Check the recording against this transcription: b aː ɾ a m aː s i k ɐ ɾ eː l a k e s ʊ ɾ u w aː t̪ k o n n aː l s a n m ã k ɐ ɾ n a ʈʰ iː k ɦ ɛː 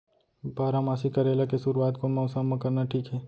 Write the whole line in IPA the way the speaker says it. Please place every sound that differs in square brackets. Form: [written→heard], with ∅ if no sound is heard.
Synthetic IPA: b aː ɾ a m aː s i k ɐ ɾ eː l a k e s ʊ ɾ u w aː t̪ k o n [n→m] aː [l→∅] s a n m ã k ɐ ɾ n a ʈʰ iː k ɦ ɛː